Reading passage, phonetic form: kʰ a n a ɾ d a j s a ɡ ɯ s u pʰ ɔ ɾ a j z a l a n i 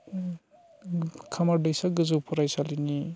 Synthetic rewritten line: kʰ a m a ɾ d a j s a ɡ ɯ z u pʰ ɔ ɾ a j s a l i n i